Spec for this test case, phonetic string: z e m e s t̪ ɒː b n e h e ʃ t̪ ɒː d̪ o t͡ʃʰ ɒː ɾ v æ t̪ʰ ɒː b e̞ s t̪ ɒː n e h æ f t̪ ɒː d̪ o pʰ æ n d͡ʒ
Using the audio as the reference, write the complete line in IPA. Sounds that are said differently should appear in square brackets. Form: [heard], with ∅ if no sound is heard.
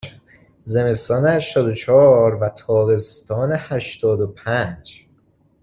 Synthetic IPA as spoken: z e m e s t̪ ɒː [∅] n e h [æ] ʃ t̪ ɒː d̪ o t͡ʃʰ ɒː ɾ v æ t̪ʰ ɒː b e̞ s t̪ ɒː n e h æ [ʃ] t̪ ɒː d̪ o pʰ æ n d͡ʒ

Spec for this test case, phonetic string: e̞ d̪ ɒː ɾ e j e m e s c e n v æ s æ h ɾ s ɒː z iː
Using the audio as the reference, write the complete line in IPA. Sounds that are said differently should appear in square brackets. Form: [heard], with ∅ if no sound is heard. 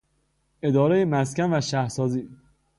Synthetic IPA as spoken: e̞ d̪ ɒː ɾ e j e m [æ] s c [æ] n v æ [ʃ] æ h ɾ s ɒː z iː

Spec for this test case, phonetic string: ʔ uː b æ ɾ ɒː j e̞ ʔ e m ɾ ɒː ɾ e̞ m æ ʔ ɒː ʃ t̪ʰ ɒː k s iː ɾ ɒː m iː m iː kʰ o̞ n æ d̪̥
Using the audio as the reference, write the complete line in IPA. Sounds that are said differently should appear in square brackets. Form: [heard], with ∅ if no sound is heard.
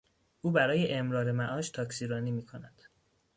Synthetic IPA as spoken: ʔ uː b æ ɾ ɒː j e̞ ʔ e m ɾ ɒː ɾ e̞ m æ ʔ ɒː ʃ t̪ʰ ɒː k s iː ɾ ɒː [n] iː m iː kʰ o̞ n æ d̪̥

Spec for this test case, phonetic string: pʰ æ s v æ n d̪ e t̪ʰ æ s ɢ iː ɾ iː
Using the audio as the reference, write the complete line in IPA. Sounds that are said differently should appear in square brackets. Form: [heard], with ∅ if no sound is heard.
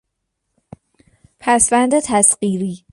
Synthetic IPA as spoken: pʰ æ s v æ n d̪ e t̪ʰ æ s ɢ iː ɾ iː

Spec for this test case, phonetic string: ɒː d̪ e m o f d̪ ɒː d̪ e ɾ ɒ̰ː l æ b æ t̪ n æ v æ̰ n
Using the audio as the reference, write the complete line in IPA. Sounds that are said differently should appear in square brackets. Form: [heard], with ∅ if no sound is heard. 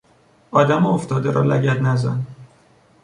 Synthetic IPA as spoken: ɒː d̪ [æ] m o f [t̪] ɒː d̪ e ɾ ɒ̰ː l æ [ɟ] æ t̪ n æ [z] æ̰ n

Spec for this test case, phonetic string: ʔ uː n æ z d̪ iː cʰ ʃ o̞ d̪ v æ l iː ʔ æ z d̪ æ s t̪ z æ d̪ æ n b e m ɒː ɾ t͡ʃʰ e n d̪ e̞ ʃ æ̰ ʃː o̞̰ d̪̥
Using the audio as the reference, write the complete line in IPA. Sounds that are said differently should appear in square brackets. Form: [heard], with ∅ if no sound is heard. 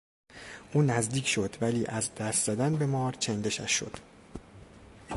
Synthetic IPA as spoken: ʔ uː n æ z d̪ iː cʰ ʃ o̞ d̪ v æ l iː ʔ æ z d̪ æ s t̪ z æ d̪ æ n b e m ɒː ɾ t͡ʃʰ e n d̪ e̞ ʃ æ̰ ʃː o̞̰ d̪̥

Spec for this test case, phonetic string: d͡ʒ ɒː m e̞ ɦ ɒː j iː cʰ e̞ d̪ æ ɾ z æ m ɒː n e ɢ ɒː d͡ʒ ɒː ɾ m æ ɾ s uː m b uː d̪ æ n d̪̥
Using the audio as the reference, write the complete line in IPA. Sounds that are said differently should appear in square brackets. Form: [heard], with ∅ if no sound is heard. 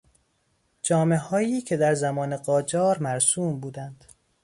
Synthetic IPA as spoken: d͡ʒ ɒː m e̞ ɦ ɒː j iː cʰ e̞ d̪ æ ɾ z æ m ɒː n e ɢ ɒː d͡ʒ ɒː ɾ m æ ɾ s uː m b uː d̪ æ n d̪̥

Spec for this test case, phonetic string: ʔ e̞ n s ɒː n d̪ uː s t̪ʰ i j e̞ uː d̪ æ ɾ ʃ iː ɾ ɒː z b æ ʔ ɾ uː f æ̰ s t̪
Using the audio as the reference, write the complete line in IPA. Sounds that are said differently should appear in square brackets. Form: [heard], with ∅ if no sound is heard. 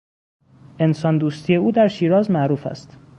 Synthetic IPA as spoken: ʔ e̞ n s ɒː n d̪ uː s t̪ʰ i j e̞ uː d̪ æ ɾ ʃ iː ɾ ɒː z [m] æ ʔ ɾ uː f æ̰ s t̪

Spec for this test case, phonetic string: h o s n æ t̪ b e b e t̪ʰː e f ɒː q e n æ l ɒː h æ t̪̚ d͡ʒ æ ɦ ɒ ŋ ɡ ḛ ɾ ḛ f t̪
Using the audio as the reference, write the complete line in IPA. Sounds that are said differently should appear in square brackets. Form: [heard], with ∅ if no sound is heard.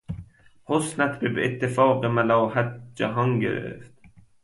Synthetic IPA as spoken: h o s n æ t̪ b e b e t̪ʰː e f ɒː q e [m] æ l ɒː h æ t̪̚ d͡ʒ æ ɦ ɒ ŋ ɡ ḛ ɾ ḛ f t̪

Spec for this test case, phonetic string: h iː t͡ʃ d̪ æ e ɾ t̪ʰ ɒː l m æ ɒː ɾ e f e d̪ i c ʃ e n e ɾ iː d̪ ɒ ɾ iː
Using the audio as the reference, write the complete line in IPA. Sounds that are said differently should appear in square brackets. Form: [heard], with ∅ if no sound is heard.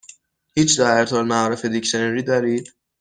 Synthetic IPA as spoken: h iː t͡ʃ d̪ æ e ɾ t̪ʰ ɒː l m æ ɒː ɾ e f e d̪ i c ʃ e n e ɾ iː d̪ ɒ ɾ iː

